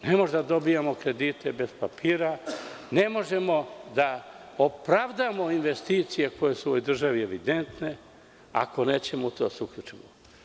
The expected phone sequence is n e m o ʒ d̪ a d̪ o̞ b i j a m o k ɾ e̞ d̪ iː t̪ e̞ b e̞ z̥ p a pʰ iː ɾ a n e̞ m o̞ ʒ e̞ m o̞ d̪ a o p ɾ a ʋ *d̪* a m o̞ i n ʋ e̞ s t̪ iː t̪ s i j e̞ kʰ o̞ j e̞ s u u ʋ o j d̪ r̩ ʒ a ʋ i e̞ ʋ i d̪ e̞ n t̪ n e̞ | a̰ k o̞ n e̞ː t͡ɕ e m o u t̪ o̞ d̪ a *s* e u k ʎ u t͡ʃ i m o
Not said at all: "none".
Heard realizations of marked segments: d̪, s

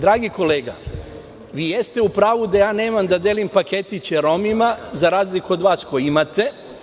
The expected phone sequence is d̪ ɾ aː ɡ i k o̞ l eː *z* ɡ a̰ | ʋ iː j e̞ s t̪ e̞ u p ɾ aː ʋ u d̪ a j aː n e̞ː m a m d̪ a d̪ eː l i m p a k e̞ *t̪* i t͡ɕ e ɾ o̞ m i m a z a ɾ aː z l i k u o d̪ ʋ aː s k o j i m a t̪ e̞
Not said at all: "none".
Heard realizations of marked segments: none, t̪

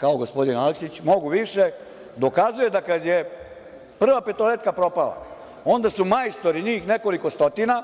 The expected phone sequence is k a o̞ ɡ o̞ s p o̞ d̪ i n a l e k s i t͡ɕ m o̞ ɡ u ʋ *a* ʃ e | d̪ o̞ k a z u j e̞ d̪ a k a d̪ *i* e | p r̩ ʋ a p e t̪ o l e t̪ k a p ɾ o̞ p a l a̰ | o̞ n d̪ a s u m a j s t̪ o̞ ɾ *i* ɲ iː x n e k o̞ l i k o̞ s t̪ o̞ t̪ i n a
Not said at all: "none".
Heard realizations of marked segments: i, j, i

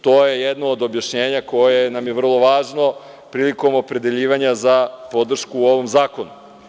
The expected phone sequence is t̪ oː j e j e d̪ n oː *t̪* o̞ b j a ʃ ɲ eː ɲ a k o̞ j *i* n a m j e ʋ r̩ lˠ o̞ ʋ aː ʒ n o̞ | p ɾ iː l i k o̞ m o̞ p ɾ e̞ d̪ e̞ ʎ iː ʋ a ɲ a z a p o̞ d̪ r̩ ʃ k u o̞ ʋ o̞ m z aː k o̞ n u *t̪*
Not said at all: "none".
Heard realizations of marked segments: d̪, e, none

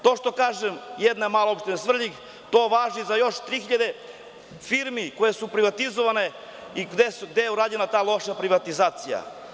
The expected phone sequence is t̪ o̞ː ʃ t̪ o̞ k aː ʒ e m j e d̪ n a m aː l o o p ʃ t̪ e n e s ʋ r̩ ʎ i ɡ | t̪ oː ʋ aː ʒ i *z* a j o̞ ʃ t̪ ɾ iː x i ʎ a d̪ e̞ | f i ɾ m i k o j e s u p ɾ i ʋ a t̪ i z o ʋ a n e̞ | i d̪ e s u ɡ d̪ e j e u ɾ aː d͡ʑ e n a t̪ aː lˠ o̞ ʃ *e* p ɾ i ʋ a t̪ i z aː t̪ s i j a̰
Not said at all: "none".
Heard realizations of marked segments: z, a

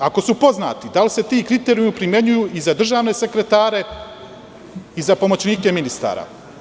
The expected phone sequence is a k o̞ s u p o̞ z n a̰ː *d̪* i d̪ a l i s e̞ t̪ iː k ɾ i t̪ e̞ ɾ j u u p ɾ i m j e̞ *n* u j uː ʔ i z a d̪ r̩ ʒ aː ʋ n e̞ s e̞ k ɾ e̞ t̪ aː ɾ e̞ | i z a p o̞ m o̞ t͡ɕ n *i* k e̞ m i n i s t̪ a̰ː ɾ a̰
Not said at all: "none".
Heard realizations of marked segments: t̪, ɲ, iː

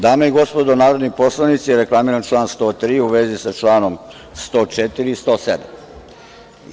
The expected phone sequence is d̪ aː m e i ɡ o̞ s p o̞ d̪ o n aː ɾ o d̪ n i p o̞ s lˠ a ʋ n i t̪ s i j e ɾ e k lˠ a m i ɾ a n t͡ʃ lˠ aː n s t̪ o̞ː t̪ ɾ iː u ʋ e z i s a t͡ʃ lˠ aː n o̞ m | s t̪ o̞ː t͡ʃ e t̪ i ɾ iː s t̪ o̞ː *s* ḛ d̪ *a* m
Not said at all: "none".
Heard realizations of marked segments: s, a

